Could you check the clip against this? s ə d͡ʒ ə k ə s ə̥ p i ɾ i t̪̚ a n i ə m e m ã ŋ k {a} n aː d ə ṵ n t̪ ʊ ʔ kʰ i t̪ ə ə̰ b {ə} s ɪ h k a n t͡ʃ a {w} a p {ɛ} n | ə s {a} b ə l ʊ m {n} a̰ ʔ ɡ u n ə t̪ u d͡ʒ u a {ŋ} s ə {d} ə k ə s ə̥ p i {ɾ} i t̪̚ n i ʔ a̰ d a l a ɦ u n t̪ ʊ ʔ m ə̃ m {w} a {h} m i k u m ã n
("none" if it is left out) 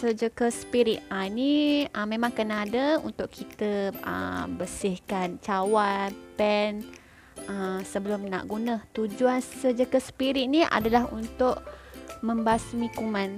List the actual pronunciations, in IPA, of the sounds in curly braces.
ə, ə, w, ɛ, ə, n, n, d͡ʒ, ɾ, b, s

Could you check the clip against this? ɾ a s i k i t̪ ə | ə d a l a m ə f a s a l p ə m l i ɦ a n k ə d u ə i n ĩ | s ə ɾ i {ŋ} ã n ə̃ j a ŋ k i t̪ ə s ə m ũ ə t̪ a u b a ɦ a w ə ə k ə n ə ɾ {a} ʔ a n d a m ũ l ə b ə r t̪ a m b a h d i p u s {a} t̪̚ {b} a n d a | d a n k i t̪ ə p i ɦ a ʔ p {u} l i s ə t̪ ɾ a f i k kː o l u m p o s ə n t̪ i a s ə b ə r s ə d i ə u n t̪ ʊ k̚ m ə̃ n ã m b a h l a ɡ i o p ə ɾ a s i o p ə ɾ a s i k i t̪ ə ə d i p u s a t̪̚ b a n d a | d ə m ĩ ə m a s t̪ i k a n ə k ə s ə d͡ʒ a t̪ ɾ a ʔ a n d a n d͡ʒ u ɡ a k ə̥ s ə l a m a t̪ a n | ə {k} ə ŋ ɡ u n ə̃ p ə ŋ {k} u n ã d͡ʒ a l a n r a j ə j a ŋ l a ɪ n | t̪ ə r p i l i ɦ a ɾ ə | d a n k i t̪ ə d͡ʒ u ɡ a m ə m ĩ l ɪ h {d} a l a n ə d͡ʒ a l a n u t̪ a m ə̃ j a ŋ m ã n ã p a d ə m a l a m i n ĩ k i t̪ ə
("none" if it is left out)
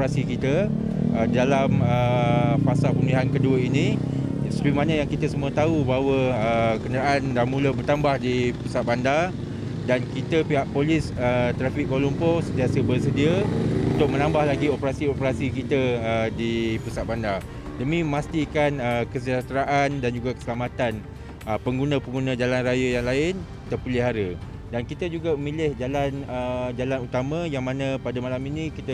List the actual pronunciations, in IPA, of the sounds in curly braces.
m, a, a, b, o, p, ɡ, d͡ʒ

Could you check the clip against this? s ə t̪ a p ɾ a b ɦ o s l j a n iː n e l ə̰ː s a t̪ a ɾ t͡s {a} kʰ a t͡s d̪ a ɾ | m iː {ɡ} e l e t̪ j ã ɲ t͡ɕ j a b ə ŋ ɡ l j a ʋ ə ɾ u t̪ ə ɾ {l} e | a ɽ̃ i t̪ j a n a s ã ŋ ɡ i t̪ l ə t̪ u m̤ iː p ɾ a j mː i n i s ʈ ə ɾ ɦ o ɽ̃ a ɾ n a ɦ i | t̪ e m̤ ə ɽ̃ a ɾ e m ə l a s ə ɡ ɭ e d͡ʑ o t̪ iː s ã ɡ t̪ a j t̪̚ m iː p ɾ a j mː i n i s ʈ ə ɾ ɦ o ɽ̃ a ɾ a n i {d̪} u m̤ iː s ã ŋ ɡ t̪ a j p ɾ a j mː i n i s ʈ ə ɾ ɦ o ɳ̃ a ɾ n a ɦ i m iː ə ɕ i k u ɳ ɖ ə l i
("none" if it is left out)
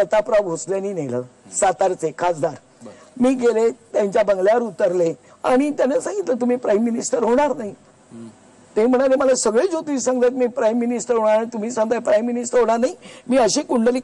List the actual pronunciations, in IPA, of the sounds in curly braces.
e, ɡ, l, t̪

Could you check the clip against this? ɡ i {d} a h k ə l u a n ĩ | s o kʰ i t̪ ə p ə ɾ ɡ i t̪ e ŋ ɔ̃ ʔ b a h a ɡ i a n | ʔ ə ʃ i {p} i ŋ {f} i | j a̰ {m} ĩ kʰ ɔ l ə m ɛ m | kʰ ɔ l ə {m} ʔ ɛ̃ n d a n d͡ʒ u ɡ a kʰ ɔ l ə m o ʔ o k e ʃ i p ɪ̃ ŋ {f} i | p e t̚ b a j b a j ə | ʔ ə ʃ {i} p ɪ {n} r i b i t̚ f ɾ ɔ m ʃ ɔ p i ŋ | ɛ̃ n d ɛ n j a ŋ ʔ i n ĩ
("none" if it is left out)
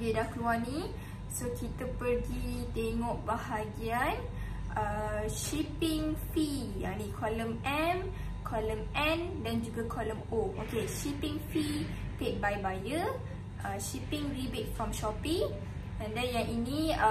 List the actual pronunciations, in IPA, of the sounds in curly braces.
d, p, f, n, m, f, i, ŋ

